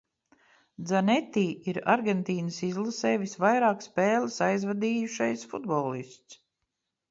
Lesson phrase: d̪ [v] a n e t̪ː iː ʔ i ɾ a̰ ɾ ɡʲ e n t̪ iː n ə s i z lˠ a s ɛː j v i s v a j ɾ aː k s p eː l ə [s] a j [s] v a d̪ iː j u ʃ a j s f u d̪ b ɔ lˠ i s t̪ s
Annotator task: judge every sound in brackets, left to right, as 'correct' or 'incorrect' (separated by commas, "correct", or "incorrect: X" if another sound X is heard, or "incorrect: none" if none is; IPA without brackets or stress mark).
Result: incorrect: z, correct, incorrect: z